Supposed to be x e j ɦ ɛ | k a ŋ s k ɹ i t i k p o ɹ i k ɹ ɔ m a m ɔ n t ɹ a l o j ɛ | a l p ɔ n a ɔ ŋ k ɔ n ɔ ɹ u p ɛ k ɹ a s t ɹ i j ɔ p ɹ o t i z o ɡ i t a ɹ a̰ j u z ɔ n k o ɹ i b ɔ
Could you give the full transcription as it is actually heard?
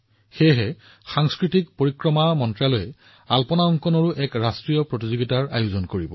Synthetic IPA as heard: x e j ɦ ɛ | x a ŋ s k ɹ i t i k p o ɹ i k ɹ ɔ m a m ɔ n t ɹ a l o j ɛ | a l p ɔ n a ɔ ŋ k ɔ n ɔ ɹ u ʔ ɛ k ɹ a s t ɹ i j ɔ p ɹ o t i z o ɡ i t a ɹ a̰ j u z ɔ n k o ɹ i b ɔ